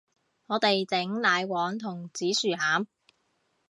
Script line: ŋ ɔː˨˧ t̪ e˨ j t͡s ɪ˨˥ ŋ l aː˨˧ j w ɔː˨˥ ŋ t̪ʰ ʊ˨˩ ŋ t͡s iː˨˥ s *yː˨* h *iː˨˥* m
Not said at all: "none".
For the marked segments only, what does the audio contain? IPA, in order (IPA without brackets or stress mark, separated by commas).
yː˨, aː˨˥